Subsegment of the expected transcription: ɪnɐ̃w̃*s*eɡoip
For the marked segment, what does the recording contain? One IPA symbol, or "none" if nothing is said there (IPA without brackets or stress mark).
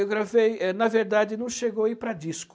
ʃ